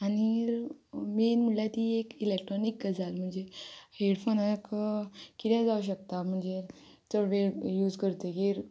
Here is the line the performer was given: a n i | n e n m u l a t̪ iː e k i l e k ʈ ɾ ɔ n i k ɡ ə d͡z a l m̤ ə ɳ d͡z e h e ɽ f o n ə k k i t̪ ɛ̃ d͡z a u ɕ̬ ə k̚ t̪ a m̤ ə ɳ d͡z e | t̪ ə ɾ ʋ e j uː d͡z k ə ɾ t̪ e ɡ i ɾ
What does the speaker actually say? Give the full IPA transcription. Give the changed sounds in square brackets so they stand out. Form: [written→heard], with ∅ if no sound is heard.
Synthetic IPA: a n i | [n→m] e n m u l a t̪ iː e k i l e k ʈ ɾ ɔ n i k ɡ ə d͡z a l m̤ ə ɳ d͡z e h e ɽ f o n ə k k i t̪ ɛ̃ d͡z a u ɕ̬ ə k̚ t̪ a m̤ ə ɳ d͡z e | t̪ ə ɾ ʋ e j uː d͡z k ə ɾ t̪ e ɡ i ɾ